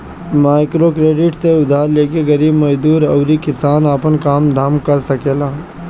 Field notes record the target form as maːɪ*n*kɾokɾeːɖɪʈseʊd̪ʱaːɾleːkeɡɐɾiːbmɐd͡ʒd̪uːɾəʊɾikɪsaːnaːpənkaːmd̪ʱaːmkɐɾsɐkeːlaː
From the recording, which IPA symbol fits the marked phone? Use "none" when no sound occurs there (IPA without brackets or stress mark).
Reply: none